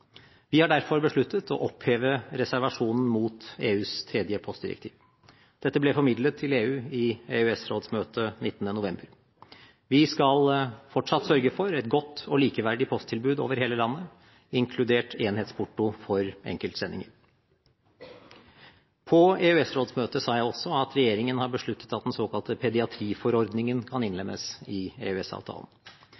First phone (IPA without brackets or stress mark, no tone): ʋ